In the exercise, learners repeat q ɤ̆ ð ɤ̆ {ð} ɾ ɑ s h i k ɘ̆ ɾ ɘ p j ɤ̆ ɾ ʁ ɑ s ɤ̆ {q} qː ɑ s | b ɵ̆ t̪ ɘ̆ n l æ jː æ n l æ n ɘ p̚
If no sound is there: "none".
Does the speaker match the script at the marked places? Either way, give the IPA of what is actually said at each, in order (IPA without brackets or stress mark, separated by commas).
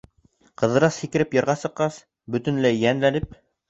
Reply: none, q